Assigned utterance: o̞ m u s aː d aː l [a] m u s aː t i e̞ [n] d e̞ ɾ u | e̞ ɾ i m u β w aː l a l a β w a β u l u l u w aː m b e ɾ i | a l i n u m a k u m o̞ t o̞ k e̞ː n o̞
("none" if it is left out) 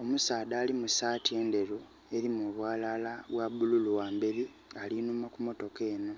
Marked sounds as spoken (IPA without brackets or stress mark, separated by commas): i, n